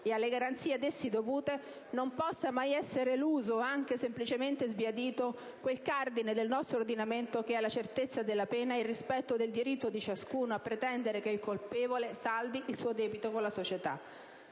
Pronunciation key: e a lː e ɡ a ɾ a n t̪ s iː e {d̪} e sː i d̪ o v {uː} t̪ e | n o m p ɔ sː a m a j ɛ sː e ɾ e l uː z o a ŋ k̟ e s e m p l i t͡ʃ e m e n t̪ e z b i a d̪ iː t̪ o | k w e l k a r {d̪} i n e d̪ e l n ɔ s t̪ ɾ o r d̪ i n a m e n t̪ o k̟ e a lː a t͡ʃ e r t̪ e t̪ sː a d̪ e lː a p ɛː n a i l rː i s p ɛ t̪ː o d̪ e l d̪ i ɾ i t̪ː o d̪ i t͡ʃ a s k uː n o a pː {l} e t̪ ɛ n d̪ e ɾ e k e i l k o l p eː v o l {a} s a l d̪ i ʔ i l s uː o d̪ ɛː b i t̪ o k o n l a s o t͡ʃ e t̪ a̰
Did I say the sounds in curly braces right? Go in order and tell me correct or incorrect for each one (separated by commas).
correct, correct, correct, incorrect, incorrect